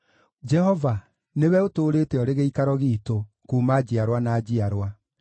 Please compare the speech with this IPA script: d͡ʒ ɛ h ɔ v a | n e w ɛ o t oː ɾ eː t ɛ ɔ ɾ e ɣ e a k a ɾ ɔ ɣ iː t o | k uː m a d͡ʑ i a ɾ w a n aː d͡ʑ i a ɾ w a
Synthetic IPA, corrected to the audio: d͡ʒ ɛ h ɔ v a | n e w ɛ o t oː ɾ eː t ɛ ɔ ɾ e ɣ e i k a ɾ ɔ ɣ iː t o | k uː m a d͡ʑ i a ɾ w a n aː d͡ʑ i a ɾ w a